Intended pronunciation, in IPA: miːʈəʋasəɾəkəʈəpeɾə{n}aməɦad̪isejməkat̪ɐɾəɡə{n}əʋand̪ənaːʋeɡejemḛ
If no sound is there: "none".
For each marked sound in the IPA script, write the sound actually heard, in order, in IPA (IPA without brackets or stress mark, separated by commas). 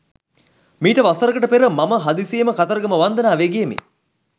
m, m